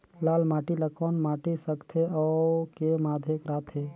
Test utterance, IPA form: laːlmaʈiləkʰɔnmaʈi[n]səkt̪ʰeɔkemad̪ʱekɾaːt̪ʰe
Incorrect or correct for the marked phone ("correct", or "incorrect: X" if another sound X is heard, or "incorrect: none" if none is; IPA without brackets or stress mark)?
incorrect: none